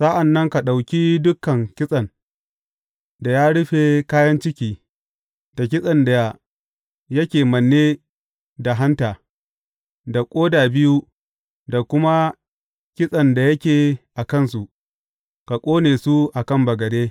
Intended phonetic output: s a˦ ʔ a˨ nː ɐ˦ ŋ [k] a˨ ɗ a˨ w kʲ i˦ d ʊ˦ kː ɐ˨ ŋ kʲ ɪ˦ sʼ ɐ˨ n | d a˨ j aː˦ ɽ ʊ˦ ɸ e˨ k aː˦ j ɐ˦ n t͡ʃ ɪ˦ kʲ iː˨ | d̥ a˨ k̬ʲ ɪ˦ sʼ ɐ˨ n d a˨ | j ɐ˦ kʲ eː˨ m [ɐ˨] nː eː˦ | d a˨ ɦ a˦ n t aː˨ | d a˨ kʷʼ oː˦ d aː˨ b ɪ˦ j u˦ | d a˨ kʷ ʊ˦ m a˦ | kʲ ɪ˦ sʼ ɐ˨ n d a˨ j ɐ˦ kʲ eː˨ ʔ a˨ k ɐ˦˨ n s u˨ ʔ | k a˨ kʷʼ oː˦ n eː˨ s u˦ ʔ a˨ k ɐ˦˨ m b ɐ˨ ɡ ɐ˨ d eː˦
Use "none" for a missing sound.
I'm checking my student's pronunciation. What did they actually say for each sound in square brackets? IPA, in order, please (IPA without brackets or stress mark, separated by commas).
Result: k, ɐ˨